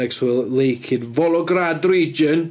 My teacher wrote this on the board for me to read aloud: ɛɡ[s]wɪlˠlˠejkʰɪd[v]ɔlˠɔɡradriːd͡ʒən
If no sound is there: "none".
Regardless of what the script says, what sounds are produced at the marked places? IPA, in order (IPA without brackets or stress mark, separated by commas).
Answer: s, v